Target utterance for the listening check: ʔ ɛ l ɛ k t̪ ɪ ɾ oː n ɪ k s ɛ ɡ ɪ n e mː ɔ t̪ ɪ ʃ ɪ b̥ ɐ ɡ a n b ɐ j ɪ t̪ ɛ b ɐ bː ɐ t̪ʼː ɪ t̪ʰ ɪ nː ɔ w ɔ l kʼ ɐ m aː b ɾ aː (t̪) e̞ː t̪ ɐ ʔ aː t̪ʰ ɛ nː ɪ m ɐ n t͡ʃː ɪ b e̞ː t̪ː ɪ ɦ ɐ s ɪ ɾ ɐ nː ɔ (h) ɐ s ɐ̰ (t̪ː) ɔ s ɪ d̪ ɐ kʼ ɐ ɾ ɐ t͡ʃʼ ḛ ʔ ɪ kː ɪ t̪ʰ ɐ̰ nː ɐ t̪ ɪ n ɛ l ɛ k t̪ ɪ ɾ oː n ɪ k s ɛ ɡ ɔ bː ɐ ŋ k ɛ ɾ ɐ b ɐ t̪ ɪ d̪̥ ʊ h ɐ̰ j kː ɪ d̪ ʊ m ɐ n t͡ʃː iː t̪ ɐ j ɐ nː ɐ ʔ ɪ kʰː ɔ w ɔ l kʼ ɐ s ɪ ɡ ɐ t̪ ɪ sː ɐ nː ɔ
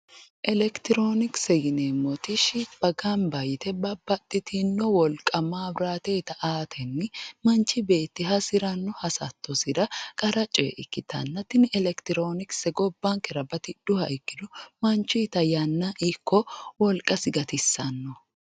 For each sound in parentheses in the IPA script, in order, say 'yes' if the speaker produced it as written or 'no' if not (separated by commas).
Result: yes, yes, yes